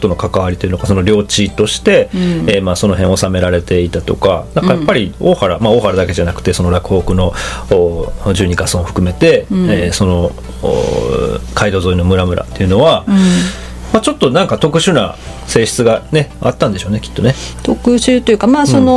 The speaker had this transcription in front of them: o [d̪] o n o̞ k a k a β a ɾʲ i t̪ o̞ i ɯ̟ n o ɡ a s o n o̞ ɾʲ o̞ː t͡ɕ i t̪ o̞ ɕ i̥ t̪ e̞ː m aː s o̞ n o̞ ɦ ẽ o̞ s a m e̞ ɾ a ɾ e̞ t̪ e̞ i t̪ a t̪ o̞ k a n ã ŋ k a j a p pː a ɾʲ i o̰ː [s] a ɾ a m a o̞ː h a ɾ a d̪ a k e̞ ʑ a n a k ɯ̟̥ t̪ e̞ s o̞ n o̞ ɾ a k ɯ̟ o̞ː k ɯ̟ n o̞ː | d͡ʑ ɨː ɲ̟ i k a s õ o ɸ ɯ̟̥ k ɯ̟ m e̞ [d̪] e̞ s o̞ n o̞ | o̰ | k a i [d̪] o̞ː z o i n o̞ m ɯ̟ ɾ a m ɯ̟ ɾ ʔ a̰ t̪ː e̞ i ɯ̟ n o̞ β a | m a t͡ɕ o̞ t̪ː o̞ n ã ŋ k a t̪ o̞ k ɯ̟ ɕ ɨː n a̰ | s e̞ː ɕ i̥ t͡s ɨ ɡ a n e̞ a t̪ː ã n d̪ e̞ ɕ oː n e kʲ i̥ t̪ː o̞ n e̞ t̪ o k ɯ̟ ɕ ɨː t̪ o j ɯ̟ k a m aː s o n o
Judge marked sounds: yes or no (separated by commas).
no, no, no, yes